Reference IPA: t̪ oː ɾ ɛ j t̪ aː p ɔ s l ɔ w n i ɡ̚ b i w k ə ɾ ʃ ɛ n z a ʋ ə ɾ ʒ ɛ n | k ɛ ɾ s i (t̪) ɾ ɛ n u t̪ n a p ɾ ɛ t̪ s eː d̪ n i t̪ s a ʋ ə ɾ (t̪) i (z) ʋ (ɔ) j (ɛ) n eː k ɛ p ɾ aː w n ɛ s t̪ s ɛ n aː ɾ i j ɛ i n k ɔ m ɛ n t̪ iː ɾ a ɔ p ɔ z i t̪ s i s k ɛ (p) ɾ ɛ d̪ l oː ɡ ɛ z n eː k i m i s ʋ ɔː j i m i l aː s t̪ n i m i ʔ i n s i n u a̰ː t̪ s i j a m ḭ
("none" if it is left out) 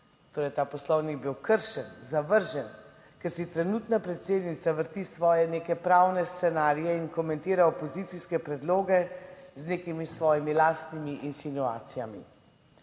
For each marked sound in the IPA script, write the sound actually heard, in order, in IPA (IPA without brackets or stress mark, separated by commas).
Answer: t̪, t̪, s, ɔː, ɛ, p